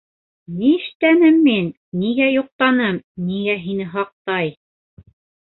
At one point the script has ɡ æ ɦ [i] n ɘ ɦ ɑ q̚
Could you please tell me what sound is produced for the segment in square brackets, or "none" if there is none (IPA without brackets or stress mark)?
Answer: i